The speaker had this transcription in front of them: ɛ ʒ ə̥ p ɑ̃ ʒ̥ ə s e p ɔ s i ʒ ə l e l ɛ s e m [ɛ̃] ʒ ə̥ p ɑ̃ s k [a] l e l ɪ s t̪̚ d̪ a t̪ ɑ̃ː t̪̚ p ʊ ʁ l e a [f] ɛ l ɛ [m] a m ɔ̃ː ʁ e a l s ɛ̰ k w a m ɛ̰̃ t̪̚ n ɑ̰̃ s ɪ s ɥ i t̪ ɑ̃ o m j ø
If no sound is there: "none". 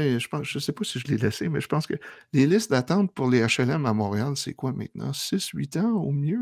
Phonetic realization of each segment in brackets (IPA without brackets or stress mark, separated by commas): ɛ, ə, ʃ, m